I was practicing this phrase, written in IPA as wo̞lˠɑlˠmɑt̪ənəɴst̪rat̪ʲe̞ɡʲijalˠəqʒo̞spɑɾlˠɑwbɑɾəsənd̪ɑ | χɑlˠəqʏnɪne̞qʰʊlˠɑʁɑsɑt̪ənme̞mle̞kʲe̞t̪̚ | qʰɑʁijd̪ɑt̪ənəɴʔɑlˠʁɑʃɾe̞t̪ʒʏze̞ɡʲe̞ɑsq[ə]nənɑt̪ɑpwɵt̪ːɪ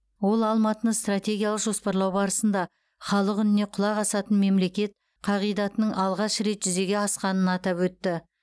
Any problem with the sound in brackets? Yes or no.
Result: yes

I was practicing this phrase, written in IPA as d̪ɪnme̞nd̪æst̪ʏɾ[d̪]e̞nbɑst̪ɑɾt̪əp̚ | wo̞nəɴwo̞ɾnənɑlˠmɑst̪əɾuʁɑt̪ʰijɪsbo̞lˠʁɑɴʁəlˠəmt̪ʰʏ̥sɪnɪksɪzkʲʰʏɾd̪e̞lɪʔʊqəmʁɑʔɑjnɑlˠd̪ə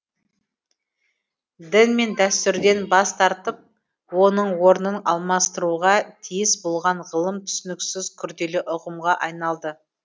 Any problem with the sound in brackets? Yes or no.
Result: no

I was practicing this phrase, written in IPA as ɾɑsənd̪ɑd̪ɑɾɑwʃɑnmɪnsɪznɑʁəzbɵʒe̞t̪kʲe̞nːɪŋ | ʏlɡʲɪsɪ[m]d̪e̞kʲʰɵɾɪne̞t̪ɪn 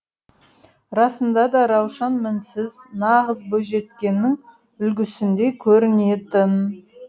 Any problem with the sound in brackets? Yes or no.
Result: yes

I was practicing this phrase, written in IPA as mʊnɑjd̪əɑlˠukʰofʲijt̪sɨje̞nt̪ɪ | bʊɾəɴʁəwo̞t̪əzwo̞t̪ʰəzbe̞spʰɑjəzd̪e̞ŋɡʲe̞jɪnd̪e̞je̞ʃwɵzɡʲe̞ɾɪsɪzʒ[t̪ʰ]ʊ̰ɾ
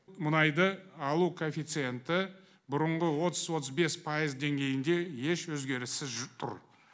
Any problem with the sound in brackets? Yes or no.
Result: no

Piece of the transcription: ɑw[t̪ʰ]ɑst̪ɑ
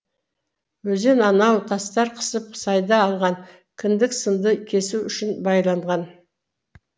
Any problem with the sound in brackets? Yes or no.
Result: no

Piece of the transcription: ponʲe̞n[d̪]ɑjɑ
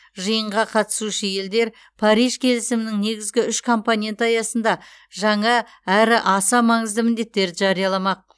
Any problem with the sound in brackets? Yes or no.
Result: yes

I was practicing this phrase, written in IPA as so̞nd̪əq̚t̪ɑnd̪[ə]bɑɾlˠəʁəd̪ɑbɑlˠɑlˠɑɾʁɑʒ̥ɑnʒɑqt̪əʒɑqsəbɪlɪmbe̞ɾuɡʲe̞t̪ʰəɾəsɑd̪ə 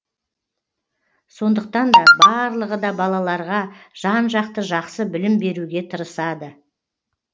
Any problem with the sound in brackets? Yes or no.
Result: yes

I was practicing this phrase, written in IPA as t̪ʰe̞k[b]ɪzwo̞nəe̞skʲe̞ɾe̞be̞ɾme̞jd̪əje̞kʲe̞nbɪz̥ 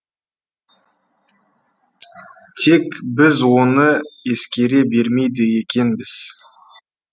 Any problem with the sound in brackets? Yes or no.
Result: no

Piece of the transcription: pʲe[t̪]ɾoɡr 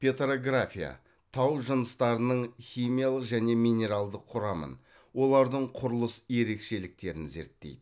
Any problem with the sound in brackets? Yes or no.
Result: no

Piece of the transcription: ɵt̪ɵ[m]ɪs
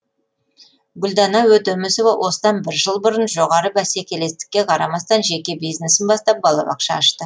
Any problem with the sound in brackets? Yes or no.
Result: no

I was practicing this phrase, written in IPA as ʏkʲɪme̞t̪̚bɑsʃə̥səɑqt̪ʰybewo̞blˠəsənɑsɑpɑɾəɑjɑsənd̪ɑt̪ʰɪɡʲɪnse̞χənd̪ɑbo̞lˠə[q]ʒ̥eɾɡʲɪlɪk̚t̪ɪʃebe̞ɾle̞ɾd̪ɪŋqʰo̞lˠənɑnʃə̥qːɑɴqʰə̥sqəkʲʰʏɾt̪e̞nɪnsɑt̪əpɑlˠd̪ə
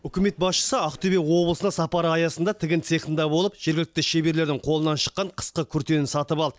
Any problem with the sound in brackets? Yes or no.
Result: yes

